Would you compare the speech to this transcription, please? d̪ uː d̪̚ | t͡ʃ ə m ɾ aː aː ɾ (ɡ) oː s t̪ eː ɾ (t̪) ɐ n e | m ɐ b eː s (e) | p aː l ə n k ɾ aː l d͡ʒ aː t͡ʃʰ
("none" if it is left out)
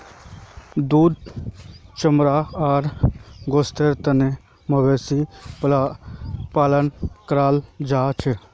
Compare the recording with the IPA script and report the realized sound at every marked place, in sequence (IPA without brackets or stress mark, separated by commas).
ɡ, t̪, i